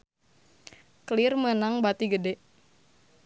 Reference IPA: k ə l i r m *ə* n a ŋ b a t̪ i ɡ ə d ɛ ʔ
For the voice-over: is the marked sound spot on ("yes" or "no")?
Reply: yes